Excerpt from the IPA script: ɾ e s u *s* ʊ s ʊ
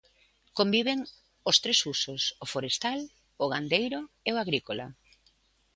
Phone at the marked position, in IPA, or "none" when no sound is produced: s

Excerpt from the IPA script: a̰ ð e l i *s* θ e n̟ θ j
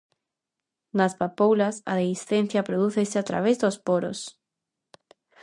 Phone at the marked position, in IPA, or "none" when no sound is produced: s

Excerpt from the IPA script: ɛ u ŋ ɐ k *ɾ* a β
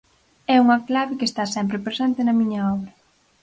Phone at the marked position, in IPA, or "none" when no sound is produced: l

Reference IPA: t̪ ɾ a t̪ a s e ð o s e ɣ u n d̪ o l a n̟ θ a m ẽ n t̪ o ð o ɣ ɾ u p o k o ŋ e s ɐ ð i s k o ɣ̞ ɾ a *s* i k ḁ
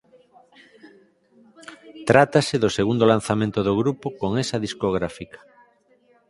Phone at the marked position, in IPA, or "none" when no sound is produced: f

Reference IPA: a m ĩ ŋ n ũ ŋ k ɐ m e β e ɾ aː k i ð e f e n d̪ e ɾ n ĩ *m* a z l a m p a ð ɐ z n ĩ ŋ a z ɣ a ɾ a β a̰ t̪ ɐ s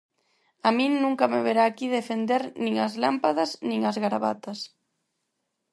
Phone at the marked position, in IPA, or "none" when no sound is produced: ŋ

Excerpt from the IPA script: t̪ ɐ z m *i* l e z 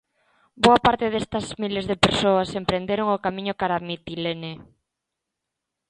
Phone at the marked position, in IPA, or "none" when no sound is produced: i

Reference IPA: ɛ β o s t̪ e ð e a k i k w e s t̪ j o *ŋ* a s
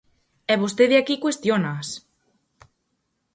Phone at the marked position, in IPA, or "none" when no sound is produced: n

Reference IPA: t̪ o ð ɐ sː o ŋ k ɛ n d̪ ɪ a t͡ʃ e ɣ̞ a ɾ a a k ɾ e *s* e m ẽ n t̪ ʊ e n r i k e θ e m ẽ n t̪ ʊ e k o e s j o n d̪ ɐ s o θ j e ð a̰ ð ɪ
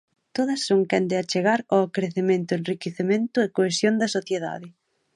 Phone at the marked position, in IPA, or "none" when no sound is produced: θ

